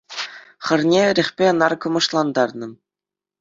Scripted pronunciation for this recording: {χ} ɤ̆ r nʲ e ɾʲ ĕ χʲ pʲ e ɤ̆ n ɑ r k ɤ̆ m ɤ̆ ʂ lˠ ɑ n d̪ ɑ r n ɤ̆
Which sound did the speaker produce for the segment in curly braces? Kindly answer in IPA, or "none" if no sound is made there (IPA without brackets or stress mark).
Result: χ